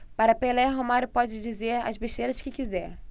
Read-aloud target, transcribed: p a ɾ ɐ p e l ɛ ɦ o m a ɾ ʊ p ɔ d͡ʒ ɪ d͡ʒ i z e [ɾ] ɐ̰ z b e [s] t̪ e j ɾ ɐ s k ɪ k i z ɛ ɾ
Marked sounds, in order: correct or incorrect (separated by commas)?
correct, incorrect